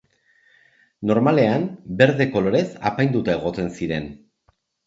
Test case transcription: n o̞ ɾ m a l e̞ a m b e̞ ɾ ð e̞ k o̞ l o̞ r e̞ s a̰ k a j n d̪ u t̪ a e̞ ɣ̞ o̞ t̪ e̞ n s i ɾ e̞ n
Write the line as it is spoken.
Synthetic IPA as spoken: n o̞ ɾ m a l e̞ a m b e̞ ɾ ð e̞ k o̞ l o̞ ɾ e̞ s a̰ p a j n d̪ u t̪ a e̞ ɣ̞ o̞ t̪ e̞ n s i ɾ e̞ n